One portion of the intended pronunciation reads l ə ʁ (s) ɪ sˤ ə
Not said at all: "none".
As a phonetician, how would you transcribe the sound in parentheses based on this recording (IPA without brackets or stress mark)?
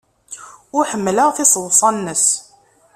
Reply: θ